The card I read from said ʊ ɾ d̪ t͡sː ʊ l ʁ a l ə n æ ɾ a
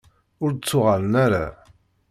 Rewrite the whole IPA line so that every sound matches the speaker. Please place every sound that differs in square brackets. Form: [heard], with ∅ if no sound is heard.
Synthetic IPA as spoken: ʊ ɾ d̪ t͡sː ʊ [∅] ʁ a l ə n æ ɾ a